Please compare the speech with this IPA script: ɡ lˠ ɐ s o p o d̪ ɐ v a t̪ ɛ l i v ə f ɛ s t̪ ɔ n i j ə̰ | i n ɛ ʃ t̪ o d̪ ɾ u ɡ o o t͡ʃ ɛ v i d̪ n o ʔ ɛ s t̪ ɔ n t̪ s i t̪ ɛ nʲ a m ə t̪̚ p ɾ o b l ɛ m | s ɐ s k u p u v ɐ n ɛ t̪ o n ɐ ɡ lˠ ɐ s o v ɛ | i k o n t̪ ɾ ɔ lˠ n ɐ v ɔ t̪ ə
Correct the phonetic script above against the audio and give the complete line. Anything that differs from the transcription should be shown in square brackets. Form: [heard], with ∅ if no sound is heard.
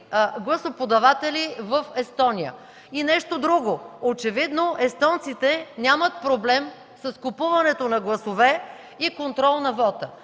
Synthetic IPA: ɡ lˠ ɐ s o p o d̪ ɐ v a t̪ ɛ l i v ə f ɛ s t̪ ɔ n i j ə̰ | i n ɛ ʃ t̪ o d̪ ɾ u ɡ o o t͡ʃ ɛ v i d̪ n o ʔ ɛ s t̪ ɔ n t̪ s i t̪ ɛ nʲ a m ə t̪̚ p ɾ o b l ɛ m | s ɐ s k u p u v ɐ n ɛ t̪ o n ɐ ɡ lˠ ɐ s o v ɛ | i k o n t̪ ɾ ɔ lˠ n ɐ v ɔ t̪ ə